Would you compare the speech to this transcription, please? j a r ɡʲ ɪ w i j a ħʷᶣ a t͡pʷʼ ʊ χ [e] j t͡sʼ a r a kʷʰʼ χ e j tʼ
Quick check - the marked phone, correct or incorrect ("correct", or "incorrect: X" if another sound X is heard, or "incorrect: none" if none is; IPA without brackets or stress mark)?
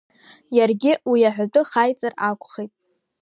incorrect: a